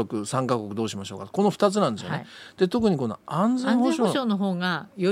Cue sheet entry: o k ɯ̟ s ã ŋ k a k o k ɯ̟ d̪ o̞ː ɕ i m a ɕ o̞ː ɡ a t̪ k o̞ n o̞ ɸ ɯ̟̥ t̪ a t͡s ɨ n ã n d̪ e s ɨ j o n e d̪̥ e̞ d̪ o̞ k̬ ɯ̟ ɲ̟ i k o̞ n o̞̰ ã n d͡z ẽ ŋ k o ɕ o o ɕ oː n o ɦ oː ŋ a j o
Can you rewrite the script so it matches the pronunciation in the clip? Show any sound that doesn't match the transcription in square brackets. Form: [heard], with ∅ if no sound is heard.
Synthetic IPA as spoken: o k ɯ̟ s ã ŋ k a k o k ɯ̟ d̪ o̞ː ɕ i m a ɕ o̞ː [k] a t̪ k o̞ n o̞ ɸ ɯ̟̥ t̪ a t͡s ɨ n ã n d̪ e s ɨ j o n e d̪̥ e̞ [t̪] o̞ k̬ ɯ̟ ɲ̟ i k o̞ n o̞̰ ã n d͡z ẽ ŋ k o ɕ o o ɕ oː n o ɦ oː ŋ a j o